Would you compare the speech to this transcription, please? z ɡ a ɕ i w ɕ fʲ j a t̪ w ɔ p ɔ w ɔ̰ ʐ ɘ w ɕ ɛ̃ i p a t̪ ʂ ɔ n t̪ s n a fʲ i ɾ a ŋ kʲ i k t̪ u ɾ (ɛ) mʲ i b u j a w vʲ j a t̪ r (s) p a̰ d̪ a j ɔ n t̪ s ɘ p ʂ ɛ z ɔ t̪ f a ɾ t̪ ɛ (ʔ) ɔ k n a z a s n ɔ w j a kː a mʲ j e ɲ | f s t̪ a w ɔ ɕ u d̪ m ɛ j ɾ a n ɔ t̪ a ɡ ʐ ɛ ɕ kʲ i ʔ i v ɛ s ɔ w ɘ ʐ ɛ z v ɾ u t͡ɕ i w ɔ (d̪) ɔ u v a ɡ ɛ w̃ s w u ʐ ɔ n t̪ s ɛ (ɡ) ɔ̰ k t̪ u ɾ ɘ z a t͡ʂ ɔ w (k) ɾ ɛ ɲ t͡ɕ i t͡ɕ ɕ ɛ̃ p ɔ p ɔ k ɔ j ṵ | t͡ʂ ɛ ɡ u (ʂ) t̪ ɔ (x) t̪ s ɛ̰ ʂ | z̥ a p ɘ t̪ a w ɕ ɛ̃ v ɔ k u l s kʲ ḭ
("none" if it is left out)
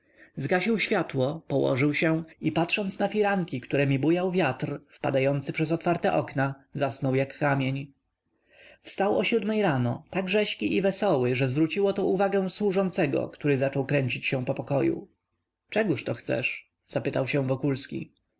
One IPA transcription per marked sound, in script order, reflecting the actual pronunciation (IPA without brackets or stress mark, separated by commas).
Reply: ɛ, f, ʔ, t̪, ɡ, k, ʂ, x